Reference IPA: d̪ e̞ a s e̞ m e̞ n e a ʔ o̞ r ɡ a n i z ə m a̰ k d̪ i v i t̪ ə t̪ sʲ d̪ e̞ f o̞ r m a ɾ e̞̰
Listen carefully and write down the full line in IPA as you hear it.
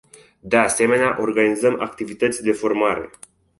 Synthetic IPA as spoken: d̪ e̞ a s e̞ m e̞ n e a ʔ o̞ r ɡ a n i z ə m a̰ k t̪ i v i t̪ ə t̪ sʲ d̪ e̞ f o̞ r m a ɾ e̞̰